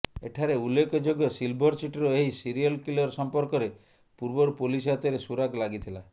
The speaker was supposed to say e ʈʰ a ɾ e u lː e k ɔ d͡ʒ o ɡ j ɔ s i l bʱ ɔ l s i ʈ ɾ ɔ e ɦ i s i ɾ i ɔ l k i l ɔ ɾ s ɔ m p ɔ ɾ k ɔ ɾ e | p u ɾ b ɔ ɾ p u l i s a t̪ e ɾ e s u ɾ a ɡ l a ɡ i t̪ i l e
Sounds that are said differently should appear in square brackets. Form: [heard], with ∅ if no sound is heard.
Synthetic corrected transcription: e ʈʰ a ɾ e u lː e k ɔ d͡ʒ o ɡ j ɔ s i l bʱ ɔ [ɾ] s i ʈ ɾ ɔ e ɦ i s i ɾ i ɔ l k i l ɔ ɾ s ɔ m p ɔ ɾ k ɔ ɾ e | p u ɾ b ɔ ɾ p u l i s a t̪ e ɾ e s u ɾ a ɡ l a ɡ i [t̪ʰ] i l [a]